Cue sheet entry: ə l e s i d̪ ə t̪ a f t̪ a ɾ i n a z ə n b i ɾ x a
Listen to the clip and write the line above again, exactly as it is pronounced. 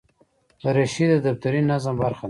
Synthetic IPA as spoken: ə ɾ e ʃ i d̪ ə d̪ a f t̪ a ɾ i n a z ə m b a ɾ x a